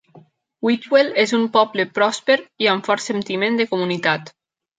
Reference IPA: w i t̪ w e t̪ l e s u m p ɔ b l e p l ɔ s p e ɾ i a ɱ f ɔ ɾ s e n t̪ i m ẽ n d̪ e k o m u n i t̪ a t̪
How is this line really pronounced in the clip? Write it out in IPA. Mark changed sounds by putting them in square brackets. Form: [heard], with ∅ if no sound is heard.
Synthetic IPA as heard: w i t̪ w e [∅] l e [z] u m p ɔ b l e p [ɾ] ɔ s p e ɾ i a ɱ f ɔ ɾ s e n t̪ i m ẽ n d̪ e k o m u n i t̪ a t̪